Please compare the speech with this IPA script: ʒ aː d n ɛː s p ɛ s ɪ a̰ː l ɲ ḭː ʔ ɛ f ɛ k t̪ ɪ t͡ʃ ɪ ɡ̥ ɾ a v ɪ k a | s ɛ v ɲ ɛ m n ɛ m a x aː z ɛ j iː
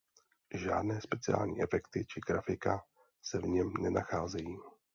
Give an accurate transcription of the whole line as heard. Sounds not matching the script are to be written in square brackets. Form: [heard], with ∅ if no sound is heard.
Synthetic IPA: ʒ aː d n ɛː s p ɛ [t͡s] ɪ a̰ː l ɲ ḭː ʔ ɛ f ɛ k t̪ ɪ t͡ʃ ɪ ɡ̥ ɾ a [f] ɪ k a | s ɛ v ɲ ɛ m n ɛ [n] a x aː z ɛ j iː